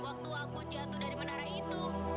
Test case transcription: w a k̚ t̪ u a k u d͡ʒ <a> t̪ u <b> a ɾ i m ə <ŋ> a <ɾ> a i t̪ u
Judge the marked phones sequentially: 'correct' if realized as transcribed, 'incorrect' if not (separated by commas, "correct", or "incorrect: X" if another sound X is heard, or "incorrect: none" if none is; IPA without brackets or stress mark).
correct, incorrect: d, incorrect: n, correct